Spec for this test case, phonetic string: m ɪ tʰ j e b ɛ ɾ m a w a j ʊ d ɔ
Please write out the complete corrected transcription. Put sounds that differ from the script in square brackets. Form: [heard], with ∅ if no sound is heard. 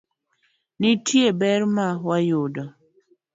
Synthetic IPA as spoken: [n] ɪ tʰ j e b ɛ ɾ m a w a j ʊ d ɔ